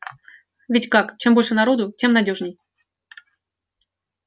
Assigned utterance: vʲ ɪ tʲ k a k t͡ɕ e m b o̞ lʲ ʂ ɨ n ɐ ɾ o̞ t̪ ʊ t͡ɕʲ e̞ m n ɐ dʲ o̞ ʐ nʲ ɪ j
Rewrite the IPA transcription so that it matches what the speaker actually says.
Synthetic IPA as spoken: vʲ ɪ tʲ k a k t͡ɕ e m b o̞ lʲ ʂ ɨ n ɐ ɾ o̞ d̪ ʊ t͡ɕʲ e̞ m n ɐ dʲ o̞ ʐ nʲ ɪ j

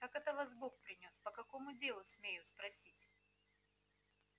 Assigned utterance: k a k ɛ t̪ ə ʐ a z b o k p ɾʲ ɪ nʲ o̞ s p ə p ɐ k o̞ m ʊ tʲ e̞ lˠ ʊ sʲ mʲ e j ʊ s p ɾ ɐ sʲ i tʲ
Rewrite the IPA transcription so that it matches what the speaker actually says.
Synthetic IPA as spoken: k a k ɛ t̪ ə v a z b o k p ɾʲ ɪ nʲ o̞ s p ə k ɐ k o̞ m ʊ dʲ e̞ lˠ ʊ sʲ mʲ e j ʊ s p ɾ ɐ sʲ i tʲ

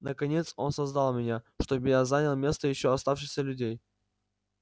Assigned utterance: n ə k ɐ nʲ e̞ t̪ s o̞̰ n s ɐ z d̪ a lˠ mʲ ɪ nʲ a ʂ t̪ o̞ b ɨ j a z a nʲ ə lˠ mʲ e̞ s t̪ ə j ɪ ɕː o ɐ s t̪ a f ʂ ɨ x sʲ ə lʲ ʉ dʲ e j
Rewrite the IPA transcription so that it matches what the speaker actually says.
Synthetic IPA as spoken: n ə k ɐ nʲ e̞ t̪ s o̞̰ n s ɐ z d̪ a lˠ mʲ ɪ nʲ a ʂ t̪ o̞ b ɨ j a z a nʲ ə lˠ mʲ e̞ s t̪ ə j ɪ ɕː o ɐ s t̪ a f ʂ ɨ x sʲ ə lʲ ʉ dʲ e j

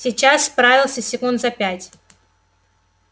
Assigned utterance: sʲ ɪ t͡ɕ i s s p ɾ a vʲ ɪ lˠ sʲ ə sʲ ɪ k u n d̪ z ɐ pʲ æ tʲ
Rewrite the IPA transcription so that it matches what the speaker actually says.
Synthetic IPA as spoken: sʲ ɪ t͡ɕ a s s p ɾ a vʲ ɪ lˠ sʲ ə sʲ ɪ k u n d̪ z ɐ pʲ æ tʲ

